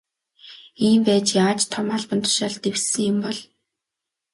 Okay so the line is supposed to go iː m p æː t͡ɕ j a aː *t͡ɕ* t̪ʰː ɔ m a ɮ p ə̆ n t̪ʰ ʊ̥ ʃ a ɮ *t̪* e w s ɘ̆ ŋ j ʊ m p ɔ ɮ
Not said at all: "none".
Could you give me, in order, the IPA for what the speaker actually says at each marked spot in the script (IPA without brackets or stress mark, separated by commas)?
t͡ɕ, t̪